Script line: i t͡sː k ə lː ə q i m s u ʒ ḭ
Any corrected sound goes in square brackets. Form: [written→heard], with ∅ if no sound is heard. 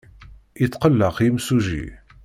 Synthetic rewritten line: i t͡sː [k→q] ə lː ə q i m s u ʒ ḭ